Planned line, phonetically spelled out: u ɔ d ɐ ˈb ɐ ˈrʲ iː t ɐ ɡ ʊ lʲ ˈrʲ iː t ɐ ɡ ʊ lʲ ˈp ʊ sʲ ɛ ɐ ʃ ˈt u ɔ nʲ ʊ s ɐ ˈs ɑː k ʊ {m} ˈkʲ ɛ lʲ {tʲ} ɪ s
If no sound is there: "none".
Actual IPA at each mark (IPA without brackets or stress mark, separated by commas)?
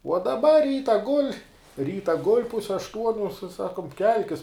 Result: m, kʲ